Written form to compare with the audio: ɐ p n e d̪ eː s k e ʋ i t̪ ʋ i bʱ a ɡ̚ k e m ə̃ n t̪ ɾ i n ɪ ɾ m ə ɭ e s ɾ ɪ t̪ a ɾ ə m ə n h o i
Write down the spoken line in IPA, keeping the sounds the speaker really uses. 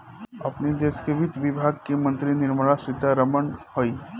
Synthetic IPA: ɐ p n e d̪ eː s k e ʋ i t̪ ʋ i bʱ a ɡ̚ k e m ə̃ n t̪ ɾ i n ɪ ɾ m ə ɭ a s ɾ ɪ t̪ a ɾ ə m ə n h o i